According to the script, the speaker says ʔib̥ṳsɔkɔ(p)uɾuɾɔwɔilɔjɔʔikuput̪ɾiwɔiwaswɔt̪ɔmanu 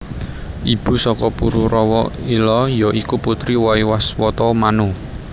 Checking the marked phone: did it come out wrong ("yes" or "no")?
no